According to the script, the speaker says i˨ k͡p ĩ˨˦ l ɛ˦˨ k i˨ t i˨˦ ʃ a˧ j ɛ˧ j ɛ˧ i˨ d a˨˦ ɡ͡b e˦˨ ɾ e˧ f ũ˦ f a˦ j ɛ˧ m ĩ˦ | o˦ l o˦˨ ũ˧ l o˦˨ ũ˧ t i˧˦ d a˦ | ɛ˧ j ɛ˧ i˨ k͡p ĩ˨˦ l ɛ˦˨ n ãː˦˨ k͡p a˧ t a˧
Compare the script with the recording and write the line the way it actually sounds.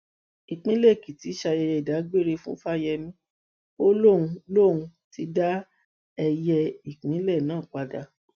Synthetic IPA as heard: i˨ k͡p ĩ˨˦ l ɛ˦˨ k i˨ t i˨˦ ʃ a˧ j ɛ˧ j ɛ˧ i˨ d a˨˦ ɡ͡b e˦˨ ɾ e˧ f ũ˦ f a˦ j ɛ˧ m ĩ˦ | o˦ l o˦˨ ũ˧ l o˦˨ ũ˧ t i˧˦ d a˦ | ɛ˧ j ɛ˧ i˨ k͡p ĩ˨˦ l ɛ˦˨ n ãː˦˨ k͡p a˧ d a˧